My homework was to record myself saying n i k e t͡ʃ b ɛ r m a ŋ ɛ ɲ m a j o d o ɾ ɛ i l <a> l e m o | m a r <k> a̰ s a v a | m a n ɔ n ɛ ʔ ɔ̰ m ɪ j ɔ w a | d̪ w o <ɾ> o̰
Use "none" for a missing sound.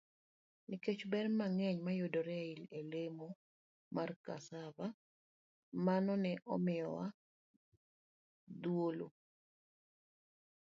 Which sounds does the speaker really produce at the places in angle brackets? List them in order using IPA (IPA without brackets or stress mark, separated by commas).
e, k, l